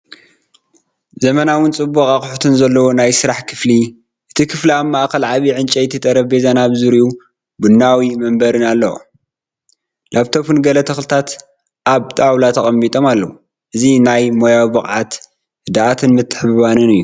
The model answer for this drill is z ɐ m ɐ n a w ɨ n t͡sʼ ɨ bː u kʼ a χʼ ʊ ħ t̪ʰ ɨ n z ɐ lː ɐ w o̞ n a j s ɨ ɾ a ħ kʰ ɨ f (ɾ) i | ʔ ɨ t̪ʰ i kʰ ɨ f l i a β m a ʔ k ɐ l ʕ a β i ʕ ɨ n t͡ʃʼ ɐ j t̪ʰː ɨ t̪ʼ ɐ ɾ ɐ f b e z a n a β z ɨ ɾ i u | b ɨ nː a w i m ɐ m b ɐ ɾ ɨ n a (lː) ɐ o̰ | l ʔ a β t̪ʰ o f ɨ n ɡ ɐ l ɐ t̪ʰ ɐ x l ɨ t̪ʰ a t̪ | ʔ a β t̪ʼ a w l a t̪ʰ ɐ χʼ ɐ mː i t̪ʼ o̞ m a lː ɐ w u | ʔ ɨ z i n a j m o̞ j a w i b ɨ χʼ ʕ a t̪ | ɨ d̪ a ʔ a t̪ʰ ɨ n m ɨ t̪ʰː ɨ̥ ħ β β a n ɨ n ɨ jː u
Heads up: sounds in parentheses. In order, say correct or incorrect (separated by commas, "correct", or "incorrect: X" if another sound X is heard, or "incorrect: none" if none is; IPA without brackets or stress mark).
incorrect: l, correct